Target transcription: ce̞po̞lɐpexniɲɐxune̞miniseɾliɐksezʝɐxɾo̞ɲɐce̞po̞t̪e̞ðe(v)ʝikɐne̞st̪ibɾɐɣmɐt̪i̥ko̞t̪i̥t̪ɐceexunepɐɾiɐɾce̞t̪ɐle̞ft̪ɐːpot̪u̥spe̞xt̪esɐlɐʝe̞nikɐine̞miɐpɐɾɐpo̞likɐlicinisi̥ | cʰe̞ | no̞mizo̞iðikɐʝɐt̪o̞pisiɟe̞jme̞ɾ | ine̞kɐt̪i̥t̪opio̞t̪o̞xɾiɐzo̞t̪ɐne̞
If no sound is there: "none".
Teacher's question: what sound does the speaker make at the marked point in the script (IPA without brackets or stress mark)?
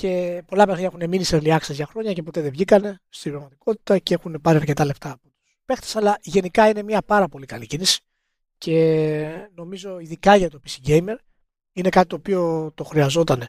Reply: v